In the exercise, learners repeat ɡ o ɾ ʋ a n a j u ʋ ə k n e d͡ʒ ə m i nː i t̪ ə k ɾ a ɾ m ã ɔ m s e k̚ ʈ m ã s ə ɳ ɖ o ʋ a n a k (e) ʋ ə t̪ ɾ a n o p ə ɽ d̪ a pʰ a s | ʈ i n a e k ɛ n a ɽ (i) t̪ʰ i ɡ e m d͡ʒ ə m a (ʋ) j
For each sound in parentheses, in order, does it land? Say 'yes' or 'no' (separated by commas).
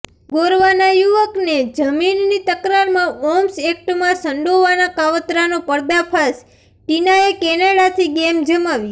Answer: no, no, yes